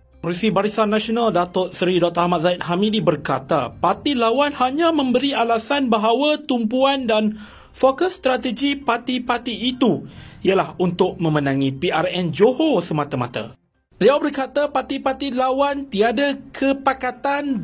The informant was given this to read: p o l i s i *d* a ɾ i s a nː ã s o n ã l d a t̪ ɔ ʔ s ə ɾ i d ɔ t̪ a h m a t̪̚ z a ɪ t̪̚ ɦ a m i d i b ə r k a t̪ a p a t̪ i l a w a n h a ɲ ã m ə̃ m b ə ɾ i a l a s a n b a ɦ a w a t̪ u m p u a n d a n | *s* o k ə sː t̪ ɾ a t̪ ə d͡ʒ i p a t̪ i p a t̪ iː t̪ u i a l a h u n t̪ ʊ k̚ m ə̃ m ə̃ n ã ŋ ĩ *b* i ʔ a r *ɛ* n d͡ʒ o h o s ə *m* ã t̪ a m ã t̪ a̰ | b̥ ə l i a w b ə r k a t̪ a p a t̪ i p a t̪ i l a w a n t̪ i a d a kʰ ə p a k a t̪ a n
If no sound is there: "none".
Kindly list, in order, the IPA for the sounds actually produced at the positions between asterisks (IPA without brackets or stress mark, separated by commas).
b, f, p, ɛ, m